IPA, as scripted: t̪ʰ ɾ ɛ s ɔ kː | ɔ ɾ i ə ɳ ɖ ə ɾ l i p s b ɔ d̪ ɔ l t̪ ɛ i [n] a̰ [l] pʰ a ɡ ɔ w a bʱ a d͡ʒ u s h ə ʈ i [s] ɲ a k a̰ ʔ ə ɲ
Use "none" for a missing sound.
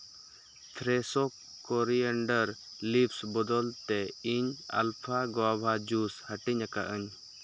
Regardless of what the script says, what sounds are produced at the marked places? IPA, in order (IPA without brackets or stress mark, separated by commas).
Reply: ɲ, l, none